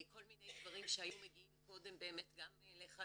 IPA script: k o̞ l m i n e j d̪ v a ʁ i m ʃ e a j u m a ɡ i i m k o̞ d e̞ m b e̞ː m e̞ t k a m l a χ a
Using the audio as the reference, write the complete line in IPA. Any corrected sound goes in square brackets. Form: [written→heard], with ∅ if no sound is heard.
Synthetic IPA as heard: k o̞ l m i n e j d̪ v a ʁ i m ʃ e a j u m [a→e] ɡ i i m k o̞ d e̞ m b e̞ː m e̞ t [k→ɡ] a m l [a→e] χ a